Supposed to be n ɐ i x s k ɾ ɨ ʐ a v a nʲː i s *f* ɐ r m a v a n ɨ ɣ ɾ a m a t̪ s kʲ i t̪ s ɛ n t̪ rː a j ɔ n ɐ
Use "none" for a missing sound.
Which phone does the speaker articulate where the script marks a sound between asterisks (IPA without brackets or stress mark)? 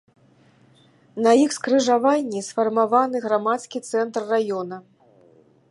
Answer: f